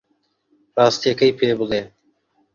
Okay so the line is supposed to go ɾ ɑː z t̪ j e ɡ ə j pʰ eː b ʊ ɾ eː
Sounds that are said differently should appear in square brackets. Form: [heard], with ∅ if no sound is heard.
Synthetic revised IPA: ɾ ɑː [s] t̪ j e [k] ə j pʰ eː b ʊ [l] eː